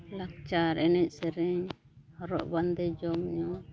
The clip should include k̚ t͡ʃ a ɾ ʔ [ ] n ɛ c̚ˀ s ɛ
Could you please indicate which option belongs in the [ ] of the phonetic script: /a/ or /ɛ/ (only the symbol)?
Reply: ɛ